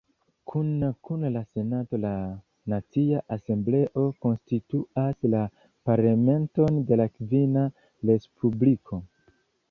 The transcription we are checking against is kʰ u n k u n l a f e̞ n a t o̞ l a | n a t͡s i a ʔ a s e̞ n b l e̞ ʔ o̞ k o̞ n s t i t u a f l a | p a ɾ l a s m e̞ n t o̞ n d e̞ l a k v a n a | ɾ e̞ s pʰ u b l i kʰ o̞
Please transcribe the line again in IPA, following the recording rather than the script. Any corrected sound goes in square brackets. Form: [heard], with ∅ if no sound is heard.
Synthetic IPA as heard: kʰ u n k u n l a [s] e̞ n a t o̞ l a | n a t͡s i a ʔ a s e̞ [m] b l e̞ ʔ o̞ k o̞ n s t i t u a [s] l a | p a ɾ l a [∅] m e̞ n t o̞ n d e̞ l a k v [i] n a | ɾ e̞ s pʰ u b l i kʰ o̞